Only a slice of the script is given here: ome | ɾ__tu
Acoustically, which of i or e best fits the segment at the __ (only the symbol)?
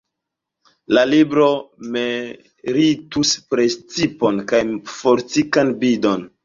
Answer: i